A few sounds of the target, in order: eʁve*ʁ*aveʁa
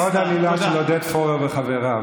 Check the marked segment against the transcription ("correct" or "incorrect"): incorrect